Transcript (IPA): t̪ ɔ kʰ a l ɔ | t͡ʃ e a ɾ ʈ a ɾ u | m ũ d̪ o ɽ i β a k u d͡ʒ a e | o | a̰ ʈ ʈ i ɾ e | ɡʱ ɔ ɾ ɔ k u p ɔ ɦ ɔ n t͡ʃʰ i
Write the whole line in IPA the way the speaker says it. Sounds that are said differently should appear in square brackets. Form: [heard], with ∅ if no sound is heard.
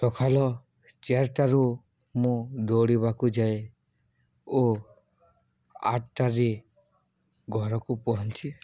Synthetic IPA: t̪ ɔ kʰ a l ɔ | t͡ʃ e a ɾ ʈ a ɾ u | m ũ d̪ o ɽ i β a k u d͡ʒ a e | o | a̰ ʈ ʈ [a] ɾ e | ɡʱ ɔ ɾ ɔ k u p ɔ ɦ ɔ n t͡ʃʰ i